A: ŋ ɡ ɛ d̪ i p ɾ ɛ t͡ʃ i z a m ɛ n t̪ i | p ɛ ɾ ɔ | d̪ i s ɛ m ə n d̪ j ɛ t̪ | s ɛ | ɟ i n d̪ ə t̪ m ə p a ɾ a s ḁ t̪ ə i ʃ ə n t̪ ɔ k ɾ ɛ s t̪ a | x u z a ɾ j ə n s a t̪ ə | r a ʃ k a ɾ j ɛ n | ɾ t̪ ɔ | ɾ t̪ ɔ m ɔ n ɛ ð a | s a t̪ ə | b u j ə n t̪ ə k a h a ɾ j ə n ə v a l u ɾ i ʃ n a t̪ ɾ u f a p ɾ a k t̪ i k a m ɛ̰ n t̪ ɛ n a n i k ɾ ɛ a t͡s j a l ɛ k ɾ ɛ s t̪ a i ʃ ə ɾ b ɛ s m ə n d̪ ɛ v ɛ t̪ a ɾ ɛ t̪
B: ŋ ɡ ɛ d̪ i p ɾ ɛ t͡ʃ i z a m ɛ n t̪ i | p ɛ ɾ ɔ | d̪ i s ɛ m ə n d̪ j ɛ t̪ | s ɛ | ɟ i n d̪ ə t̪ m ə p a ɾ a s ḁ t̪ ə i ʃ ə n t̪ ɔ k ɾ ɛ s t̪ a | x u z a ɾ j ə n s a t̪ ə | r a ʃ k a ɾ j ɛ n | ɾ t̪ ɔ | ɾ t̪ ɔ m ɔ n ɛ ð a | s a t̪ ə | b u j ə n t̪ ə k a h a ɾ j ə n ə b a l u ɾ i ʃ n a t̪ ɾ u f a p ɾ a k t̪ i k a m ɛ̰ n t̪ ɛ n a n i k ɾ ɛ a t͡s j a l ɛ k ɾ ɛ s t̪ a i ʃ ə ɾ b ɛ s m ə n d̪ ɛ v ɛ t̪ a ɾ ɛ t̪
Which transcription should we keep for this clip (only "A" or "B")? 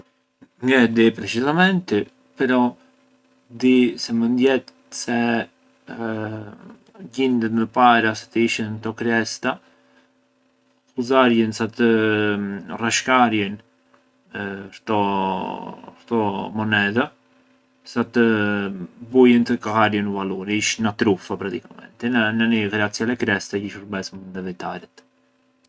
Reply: A